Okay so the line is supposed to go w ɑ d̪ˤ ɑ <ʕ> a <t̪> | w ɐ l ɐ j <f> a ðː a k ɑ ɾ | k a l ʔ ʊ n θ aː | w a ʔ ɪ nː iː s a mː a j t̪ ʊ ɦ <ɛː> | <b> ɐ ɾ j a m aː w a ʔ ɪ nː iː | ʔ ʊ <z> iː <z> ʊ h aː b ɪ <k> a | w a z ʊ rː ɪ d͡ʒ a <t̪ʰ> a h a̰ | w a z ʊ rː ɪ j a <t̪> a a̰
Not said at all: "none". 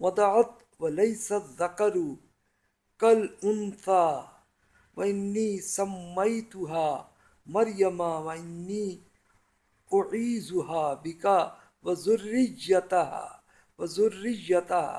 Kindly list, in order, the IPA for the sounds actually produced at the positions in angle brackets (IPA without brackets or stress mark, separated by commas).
ʕ, t̪, s, aː, m, ʕ, z, k, t̪, t̪